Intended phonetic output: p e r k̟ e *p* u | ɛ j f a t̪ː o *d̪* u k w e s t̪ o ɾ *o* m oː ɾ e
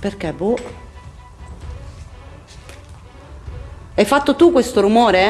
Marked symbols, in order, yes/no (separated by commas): no, no, no